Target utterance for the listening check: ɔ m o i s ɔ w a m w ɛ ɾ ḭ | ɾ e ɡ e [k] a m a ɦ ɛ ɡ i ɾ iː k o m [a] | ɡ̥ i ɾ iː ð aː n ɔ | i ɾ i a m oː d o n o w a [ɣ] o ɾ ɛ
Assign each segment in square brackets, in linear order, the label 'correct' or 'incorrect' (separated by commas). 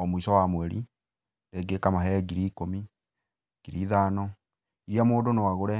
correct, incorrect, correct